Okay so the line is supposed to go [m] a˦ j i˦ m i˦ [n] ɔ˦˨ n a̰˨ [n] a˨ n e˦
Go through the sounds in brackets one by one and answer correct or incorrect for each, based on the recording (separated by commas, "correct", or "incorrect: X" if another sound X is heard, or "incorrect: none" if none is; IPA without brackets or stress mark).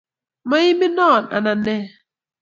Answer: correct, correct, correct